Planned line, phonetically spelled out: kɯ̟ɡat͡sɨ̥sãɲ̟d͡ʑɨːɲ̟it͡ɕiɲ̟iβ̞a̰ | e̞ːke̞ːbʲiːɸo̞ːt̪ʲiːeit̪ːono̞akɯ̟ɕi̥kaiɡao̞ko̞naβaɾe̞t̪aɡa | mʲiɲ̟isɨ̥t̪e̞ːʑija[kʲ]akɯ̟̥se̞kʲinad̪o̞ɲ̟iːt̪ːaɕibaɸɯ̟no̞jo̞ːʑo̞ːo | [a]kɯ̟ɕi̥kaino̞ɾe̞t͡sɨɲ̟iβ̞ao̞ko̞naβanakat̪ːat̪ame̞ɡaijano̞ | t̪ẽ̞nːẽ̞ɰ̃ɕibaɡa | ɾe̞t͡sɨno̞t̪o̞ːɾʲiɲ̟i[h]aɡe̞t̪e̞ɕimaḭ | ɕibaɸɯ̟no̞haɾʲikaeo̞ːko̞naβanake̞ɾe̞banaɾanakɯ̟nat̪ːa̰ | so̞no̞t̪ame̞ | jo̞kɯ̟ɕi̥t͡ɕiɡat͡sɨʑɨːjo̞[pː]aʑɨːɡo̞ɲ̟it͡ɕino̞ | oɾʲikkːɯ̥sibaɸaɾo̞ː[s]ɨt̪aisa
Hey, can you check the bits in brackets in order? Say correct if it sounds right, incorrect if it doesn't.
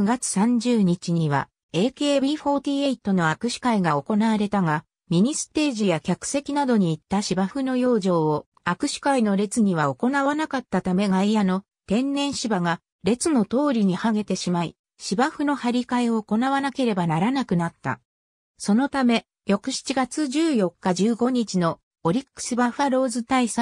correct, correct, correct, incorrect: kː, incorrect: z

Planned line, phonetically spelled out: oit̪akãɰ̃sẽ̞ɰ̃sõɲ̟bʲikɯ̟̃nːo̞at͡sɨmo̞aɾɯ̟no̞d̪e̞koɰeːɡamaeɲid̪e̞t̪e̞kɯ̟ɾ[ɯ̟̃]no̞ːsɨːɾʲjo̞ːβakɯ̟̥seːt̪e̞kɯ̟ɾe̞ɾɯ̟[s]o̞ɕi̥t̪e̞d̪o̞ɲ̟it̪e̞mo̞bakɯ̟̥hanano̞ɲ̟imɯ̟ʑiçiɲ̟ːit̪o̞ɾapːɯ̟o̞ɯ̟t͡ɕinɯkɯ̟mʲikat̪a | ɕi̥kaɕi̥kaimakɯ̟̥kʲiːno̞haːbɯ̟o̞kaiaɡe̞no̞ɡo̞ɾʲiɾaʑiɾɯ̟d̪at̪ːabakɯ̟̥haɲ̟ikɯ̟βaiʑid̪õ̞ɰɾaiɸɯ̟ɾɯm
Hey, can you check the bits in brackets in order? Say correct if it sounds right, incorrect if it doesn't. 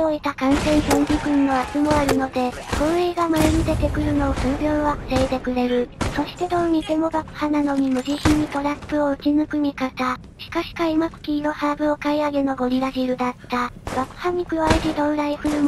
incorrect: ɯ̟, correct

